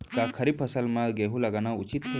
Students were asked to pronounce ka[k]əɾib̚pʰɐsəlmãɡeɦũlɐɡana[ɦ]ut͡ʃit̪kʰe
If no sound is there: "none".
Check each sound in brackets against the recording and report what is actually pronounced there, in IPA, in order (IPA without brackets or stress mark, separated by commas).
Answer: kʰ, none